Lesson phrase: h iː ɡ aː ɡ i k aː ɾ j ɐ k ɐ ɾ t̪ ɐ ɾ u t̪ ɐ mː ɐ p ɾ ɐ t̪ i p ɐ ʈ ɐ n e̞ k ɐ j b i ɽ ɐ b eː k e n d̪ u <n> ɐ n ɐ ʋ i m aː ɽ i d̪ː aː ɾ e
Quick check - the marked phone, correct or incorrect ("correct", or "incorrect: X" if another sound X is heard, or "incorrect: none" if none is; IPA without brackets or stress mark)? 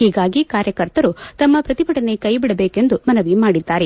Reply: incorrect: m